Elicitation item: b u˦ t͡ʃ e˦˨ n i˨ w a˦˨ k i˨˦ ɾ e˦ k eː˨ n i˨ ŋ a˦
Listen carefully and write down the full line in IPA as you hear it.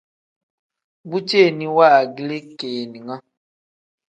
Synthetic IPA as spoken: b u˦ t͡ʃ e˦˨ n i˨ w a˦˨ ɡ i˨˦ l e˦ k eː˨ n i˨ ŋ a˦

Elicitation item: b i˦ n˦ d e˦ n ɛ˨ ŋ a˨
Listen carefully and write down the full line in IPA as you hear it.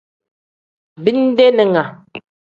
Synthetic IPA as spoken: b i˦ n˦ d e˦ n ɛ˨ ŋ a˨

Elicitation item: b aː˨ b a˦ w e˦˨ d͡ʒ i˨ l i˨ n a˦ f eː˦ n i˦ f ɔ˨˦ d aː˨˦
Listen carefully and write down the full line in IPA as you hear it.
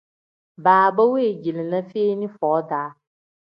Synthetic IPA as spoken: b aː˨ b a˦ w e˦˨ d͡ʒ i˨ l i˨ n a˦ f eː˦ n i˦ f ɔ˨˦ d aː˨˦

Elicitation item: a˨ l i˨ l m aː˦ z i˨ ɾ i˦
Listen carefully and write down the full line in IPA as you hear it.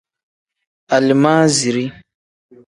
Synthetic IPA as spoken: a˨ l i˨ m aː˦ z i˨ ɾ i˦

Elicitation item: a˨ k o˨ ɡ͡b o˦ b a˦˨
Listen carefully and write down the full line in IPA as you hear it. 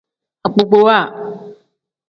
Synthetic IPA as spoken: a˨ k͡p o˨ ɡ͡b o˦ w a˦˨

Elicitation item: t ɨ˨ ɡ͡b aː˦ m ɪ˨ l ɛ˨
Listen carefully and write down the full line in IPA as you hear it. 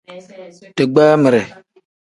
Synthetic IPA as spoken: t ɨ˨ ɡ͡b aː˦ m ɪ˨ ɾ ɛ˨

